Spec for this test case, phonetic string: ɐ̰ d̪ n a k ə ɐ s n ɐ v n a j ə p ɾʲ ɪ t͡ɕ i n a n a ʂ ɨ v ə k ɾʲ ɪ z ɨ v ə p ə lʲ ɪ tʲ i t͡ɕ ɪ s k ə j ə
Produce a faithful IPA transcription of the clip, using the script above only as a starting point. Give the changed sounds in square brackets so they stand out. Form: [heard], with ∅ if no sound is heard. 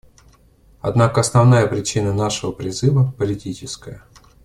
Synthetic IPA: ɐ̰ d̪ n a k ə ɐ s n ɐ v n a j ə p ɾʲ ɪ t͡ɕ i n [ə] n a ʂ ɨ v ə [p] ɾʲ ɪ z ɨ v ə p ə lʲ ɪ tʲ i t͡ɕ ɪ s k ə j ə